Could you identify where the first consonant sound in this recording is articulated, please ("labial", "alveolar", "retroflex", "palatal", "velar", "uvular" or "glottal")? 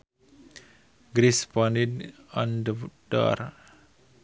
velar